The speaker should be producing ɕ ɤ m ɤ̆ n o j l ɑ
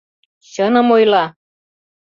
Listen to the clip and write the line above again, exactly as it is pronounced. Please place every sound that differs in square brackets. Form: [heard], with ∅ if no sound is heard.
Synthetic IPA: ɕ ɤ [n] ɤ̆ [m] o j l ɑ

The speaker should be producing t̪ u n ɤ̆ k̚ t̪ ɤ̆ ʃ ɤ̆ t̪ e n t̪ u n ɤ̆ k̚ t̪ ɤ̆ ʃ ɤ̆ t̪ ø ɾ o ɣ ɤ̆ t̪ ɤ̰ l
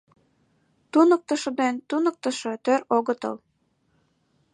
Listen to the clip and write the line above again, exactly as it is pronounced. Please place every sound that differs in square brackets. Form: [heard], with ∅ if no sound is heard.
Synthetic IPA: t̪ u n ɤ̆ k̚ t̪ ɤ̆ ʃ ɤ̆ [d̪] e n t̪ u n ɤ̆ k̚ t̪ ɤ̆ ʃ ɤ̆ t̪ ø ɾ o ɣ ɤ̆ t̪ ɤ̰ l

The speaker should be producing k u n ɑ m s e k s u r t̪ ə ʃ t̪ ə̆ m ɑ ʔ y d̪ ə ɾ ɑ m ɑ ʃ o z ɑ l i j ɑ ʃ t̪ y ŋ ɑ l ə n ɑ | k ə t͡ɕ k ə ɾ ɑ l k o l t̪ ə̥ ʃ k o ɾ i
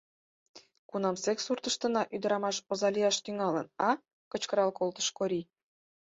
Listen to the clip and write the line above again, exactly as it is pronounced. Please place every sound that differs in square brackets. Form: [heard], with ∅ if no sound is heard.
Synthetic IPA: k u n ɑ m s e k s u r t̪ ə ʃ t̪ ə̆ [n] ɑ ʔ y d̪ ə ɾ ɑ m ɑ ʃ o z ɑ l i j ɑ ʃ t̪ y ŋ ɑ l ə n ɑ | k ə t͡ɕ k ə ɾ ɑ l k o l t̪ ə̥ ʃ k o ɾ i

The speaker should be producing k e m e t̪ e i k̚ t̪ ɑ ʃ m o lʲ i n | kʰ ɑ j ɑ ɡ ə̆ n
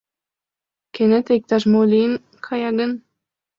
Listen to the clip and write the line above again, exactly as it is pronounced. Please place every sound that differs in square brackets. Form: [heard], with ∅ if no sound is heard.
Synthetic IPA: k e [n] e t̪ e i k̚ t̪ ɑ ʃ m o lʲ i n | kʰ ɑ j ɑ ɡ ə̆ n

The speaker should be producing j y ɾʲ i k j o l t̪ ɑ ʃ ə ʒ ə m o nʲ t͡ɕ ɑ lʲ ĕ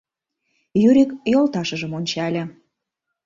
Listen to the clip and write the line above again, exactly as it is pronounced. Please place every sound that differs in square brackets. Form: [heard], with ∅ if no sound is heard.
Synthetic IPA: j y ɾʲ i k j o l t̪ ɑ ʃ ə ʒ ə m o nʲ t͡ɕ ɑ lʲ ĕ

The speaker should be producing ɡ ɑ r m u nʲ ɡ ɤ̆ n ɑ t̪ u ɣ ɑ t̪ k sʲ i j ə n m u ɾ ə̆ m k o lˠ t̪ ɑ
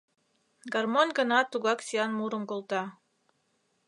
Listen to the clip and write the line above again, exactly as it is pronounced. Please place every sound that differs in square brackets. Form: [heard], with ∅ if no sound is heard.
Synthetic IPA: ɡ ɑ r m [o] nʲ ɡ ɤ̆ n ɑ t̪ u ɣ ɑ [∅] k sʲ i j [ɑ] n m u ɾ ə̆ m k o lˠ t̪ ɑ

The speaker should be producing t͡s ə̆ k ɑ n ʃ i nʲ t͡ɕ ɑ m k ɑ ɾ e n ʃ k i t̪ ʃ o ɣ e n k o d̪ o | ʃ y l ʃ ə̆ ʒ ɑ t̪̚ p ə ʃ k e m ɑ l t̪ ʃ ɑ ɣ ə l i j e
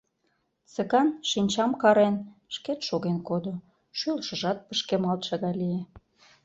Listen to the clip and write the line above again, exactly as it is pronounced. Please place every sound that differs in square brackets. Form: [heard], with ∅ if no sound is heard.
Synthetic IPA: t͡s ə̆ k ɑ n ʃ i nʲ t͡ɕ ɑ m k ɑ ɾ e n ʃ k [e] t̪ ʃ o ɣ e n k o d̪ o | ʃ y l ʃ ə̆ ʒ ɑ t̪̚ p ə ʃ k e m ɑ l t̪ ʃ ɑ ɣ [ɑ] l i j e

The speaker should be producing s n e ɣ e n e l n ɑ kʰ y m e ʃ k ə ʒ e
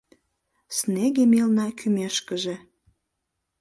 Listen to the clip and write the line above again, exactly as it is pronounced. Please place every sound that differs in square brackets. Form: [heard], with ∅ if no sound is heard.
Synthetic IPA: s n e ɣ e [m] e l n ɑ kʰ y m e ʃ k ə ʒ e

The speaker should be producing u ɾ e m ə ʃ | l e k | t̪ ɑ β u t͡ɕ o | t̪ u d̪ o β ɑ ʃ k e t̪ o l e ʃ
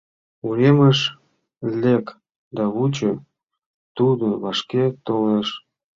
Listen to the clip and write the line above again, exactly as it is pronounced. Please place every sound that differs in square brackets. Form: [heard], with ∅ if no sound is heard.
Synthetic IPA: u ɾ e m ə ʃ | l e k | [d̪] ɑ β u t͡ɕ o | t̪ u d̪ o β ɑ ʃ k e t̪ o l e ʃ

